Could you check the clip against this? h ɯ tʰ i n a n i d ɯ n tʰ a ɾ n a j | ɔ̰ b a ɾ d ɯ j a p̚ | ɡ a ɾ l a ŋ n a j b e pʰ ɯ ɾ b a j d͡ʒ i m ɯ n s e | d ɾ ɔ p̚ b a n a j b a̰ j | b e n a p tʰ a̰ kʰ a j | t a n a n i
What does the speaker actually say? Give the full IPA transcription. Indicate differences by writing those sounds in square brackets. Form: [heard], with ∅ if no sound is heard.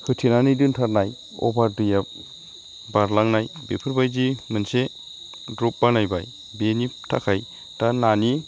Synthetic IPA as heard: h ɯ tʰ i n a n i d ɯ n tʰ a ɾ n a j | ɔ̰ b a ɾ d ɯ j a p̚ | [b] a ɾ l a ŋ n a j b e pʰ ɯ ɾ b a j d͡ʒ i m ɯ n s e | d ɾ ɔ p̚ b a n a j b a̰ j | b e n [i] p tʰ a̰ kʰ a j | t a n a n i